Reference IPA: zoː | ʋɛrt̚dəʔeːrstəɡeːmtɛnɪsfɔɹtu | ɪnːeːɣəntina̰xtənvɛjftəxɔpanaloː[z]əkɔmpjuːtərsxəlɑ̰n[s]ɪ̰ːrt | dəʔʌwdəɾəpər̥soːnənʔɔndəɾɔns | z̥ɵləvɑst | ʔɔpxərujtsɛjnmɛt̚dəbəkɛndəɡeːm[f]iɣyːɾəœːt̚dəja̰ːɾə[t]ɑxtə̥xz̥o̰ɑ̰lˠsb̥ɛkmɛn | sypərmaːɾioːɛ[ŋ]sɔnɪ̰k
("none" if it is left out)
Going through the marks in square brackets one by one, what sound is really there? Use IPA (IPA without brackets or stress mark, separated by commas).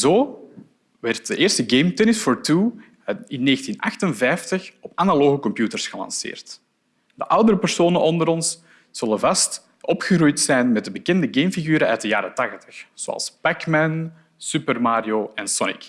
ɣ, s, f, t, n